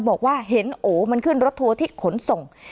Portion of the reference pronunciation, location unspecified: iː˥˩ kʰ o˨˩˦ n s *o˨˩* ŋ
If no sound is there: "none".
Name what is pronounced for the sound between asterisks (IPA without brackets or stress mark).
o˨˩